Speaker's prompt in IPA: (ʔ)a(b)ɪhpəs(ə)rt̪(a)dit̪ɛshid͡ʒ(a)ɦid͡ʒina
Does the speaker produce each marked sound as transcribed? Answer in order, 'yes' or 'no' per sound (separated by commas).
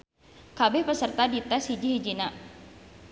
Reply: no, yes, yes, yes, no